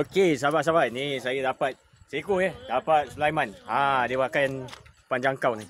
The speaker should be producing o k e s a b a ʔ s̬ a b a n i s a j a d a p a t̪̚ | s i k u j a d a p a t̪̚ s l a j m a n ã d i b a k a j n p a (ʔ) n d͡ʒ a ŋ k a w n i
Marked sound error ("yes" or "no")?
yes